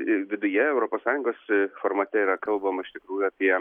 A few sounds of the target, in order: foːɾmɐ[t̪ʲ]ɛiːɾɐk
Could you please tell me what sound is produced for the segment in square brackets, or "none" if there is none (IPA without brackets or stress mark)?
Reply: t̪ʲ